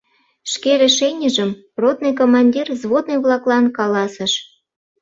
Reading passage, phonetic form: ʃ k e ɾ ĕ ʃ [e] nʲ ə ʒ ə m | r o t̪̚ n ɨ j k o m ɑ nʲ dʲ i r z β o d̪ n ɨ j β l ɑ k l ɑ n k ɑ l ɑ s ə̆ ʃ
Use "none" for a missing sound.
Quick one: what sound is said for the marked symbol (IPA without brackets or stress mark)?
e